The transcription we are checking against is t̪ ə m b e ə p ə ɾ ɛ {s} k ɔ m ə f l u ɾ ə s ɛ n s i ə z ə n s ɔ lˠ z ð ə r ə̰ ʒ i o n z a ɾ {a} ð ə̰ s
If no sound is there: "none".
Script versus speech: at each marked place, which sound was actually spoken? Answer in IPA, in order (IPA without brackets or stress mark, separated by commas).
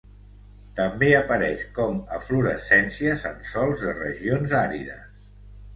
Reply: ʃ, i